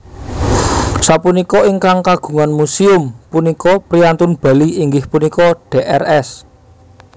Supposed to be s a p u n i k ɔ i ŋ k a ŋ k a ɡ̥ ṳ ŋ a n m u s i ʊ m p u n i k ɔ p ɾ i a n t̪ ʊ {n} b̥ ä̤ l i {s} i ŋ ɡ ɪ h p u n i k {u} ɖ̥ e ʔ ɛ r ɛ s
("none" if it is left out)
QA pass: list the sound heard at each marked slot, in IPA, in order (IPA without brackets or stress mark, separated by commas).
n, none, ɔ